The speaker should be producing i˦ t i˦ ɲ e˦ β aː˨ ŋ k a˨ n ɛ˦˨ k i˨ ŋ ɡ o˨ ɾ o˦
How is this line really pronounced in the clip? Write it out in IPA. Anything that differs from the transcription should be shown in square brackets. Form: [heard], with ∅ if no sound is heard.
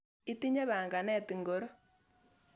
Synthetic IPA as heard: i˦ t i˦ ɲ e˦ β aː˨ ŋ [ɡ] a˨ n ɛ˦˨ [t] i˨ ŋ ɡ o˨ ɾ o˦